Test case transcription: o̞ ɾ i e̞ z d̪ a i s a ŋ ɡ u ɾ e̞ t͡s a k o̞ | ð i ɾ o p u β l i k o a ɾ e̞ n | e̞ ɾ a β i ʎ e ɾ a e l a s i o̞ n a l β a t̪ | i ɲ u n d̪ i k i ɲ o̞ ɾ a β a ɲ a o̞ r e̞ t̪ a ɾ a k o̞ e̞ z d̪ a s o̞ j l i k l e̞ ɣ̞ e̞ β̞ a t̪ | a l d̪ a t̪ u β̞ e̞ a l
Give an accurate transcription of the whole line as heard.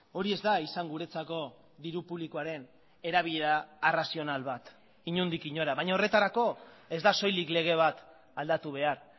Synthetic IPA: o̞ ɾ i e̞ z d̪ a i s a ŋ ɡ u ɾ e̞ t͡s a k o̞ | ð i ɾ u p u β l i k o a ɾ e̞ n | e̞ ɾ a β i ʎ e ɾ a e r a s i o̞ n a l β a t̪ | i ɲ u n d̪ i k i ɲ o̞ ɾ a β a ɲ a o̞ r e̞ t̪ a ɾ a k o̞ e̞ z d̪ a s o̞ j l i k l e̞ ɣ̞ e̞ β̞ a t̪ | a l d̪ a t̪ u β̞ e̞ a ɾ